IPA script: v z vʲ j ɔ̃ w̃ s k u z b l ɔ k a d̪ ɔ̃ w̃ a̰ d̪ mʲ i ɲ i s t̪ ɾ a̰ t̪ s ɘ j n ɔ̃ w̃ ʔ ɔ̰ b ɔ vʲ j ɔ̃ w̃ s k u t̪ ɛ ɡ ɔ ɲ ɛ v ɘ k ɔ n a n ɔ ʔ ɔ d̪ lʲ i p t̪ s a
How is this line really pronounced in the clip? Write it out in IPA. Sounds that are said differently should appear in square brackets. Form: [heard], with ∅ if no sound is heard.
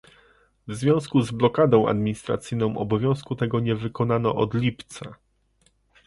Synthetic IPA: v z vʲ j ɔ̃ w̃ s k u z b l ɔ k a d̪ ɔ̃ w̃ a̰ d̪ mʲ i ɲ i s t̪ ɾ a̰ t̪ s ɘ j n ɔ̃ w̃ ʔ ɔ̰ b ɔ vʲ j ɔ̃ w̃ s k u t̪ ɛ ɡ ɔ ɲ ɛ v ɘ k ɔ n a n ɔ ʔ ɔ d̪ lʲ i p t̪ s a

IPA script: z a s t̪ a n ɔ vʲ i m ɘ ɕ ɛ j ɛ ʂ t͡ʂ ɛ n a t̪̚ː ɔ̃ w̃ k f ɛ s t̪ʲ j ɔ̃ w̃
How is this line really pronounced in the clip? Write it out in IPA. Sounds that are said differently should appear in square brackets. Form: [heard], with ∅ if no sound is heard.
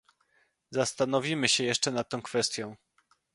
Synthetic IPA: z a s t̪ a n ɔ vʲ i m ɘ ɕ ɛ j ɛ ʂ t͡ʂ ɛ n a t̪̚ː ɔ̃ w̃ k f ɛ s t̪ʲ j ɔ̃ w̃

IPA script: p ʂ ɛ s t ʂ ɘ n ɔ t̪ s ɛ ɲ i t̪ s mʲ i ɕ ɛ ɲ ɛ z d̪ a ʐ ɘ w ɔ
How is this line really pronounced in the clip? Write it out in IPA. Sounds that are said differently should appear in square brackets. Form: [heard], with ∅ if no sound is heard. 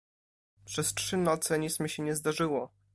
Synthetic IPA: p ʂ ɛ s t ʂ ɘ n ɔ t̪ s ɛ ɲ i t̪ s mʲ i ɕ ɛ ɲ ɛ z d̪ a ʐ ɘ w ɔ

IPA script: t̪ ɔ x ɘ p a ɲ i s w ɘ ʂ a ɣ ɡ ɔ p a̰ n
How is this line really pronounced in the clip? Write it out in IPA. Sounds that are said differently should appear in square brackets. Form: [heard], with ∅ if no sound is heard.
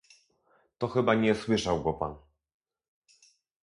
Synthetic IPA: t̪ ɔ x ɘ [b] a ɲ [ɛ] s w ɘ ʂ a [w] ɡ ɔ p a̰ n

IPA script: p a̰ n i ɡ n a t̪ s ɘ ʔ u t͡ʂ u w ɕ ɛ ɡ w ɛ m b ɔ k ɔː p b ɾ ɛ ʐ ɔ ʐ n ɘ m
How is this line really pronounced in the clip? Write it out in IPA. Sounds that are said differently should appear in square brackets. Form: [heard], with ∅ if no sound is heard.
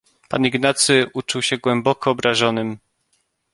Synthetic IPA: p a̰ n i ɡ n a t̪ s ɘ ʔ u t͡ʂ u w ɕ ɛ ɡ w ɛ m b ɔ k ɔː [∅] b ɾ [a] ʐ ɔ [∅] n ɘ m

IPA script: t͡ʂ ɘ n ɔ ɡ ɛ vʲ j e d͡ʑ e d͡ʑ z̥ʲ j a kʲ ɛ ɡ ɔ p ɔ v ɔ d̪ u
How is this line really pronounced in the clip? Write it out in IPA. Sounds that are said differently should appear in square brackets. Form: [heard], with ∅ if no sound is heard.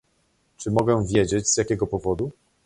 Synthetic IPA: t͡ʂ ɘ [m] ɔ ɡ ɛ vʲ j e d͡ʑ e d͡ʑ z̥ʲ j a kʲ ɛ ɡ ɔ p ɔ v ɔ d̪ u

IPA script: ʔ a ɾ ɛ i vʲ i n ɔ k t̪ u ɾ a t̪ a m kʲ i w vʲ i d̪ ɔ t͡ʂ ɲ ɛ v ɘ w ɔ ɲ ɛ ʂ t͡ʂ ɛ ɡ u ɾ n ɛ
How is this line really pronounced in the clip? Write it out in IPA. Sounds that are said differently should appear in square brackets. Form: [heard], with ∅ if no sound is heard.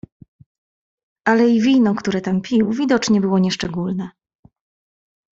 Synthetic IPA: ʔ a [l] ɛ i vʲ i n ɔ k t̪ u ɾ [ɛ] t̪ a m [pʲ] i w vʲ i d̪ ɔ t͡ʂ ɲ ɛ [b] ɘ w ɔ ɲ ɛ ʂ t͡ʂ ɛ ɡ u [l] n ɛ

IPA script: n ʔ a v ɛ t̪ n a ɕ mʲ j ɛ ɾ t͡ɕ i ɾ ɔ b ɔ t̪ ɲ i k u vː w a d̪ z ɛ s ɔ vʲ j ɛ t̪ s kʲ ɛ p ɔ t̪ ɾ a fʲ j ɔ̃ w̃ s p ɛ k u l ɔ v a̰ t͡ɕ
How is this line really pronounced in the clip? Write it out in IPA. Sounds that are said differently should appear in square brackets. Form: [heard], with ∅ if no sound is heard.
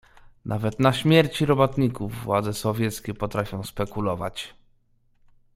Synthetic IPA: n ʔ a v ɛ t̪ n a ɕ mʲ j ɛ ɾ t͡ɕ i ɾ ɔ b ɔ t̪ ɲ i k u vː w a d̪ z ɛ s ɔ vʲ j ɛ t̪ s kʲ ɛ p ɔ t̪ ɾ a fʲ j ɔ̃ w̃ s p ɛ k u l ɔ v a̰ t͡ɕ

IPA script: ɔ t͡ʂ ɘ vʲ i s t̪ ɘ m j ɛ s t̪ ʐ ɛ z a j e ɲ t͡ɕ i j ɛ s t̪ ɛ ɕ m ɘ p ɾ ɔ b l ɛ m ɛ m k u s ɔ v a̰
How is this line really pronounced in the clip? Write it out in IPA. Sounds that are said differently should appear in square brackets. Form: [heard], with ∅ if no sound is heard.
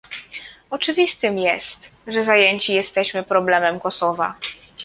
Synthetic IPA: ɔ t͡ʂ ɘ vʲ i s t̪ ɘ m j ɛ s t̪ ʐ ɛ z a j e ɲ t͡ɕ i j ɛ s t̪ ɛ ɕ m ɘ p ɾ ɔ b l ɛ m ɛ m k [ɔ] s ɔ v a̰

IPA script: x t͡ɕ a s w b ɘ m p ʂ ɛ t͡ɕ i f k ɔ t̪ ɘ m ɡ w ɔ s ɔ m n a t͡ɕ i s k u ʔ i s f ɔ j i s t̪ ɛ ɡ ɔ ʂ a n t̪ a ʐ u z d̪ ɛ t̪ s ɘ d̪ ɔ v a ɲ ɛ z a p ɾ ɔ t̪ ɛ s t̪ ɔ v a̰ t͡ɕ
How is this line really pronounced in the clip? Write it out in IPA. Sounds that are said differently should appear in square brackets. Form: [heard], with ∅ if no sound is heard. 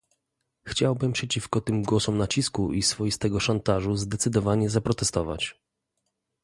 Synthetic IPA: x t͡ɕ a [∅] w b ɘ m p ʂ ɛ t͡ɕ i f k ɔ t̪ ɘ m ɡ w ɔ s ɔ m n a t͡ɕ i s k u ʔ i s f ɔ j i s t̪ ɛ ɡ ɔ ʂ a n t̪ a ʐ u z d̪ ɛ t̪ s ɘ d̪ ɔ v a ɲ ɛ z a p ɾ ɔ t̪ ɛ s t̪ ɔ v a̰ t͡ɕ

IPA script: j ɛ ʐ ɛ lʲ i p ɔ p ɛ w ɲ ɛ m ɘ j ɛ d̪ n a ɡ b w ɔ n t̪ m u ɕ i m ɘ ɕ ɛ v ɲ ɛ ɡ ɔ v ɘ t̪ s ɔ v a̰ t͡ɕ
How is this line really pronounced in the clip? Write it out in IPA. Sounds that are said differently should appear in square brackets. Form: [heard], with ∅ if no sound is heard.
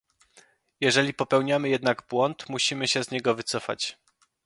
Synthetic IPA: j ɛ ʐ ɛ lʲ i p ɔ p ɛ w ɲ [a] m ɘ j ɛ d̪ n a ɡ b w ɔ n t̪ m u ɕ i m ɘ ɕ ɛ [z] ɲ ɛ ɡ ɔ v ɘ t̪ s ɔ [f] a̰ t͡ɕ

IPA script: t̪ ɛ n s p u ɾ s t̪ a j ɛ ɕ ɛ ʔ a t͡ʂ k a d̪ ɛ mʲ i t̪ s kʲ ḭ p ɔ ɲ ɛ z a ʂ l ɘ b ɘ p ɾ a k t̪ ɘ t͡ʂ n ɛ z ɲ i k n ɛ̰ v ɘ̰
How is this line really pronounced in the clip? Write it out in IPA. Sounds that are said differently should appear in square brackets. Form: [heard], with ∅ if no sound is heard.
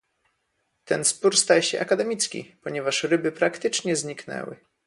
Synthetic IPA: t̪ ɛ n s p u ɾ s t̪ a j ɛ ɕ ɛ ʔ a [∅] k a d̪ ɛ mʲ i t̪ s kʲ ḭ p ɔ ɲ ɛ [v] a ʂ [ɾ] ɘ b ɘ p ɾ a k t̪ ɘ t͡ʂ [ɲ] ɛ z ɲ i k n ɛ̰ [w] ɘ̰

